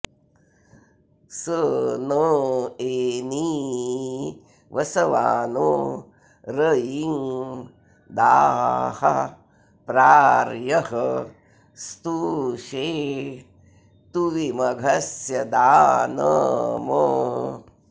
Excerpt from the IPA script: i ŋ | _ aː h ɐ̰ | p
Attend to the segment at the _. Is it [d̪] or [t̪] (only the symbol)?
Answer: d̪